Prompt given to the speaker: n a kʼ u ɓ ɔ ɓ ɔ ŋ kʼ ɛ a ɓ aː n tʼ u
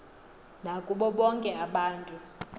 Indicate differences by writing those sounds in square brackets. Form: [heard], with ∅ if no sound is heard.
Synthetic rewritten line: n a kʼ u ɓ ɔ ɓ ɔ ŋ kʼ ɛ a ɓ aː n tʼ u